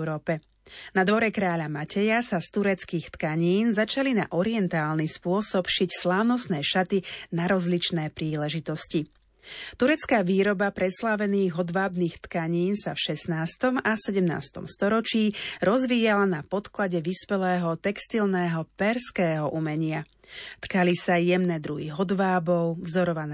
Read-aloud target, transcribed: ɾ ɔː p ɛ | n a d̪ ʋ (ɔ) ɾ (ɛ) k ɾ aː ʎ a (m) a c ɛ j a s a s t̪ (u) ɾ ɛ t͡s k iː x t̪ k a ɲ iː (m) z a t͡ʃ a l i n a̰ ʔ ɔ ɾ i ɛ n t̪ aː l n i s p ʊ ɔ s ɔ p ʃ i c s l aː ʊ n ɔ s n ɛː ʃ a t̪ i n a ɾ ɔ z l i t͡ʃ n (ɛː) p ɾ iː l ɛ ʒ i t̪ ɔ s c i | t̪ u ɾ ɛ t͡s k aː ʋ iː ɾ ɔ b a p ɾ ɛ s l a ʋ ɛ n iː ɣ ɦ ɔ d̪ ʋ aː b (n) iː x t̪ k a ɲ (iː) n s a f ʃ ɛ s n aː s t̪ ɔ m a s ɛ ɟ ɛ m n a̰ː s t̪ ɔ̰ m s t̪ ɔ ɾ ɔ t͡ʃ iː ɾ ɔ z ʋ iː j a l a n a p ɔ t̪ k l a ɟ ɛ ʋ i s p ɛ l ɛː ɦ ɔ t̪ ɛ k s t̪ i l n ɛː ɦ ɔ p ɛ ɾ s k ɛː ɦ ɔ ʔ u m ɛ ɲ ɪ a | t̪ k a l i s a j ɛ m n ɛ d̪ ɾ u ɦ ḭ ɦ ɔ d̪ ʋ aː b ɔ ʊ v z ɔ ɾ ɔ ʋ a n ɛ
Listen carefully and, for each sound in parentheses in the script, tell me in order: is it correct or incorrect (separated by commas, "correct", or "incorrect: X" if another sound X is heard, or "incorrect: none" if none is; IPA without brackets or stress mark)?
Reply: correct, correct, correct, correct, incorrect: n, correct, correct, correct